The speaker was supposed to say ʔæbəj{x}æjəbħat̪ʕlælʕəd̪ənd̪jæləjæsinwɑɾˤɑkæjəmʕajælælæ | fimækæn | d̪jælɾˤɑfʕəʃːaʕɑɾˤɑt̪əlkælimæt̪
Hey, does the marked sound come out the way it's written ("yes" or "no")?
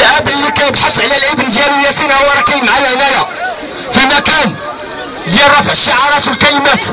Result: no